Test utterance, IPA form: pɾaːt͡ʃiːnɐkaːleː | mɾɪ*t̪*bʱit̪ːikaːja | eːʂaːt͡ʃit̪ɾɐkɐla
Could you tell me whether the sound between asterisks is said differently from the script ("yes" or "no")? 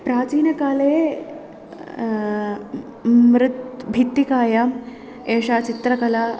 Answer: no